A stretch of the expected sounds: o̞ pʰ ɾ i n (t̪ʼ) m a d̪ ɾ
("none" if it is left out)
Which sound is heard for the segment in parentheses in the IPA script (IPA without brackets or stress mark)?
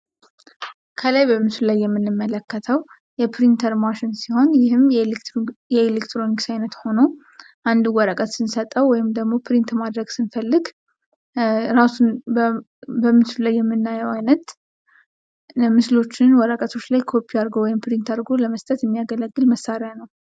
t̪